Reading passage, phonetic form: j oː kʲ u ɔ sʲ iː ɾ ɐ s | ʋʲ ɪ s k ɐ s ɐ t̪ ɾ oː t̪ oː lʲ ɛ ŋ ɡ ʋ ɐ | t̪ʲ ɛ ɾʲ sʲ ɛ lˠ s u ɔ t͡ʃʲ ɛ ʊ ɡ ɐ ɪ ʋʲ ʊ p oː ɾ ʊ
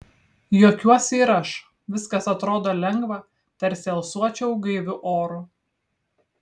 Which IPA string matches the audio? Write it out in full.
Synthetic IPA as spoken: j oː kʲ u ɔ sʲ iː ɾ ɐ ʃ | ʋʲ ɪ s k ɐ s ɐ t̪ ɾ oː d̪ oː lʲ ɛ ŋ ɡ ʋ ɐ | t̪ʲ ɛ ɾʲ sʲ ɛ lˠ s u ɔ t͡ʃʲ ɛ ʊ ɡ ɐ ɪ ʋʲ ʊ ʔ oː ɾ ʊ